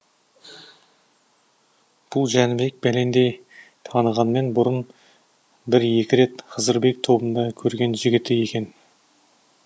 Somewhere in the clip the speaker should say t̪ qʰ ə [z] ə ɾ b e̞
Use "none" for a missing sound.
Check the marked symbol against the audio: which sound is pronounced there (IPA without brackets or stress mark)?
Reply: z